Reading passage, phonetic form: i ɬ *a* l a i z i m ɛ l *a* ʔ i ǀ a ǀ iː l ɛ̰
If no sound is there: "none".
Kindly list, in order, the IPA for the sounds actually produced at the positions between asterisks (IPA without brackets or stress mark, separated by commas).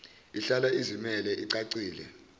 a, ɛ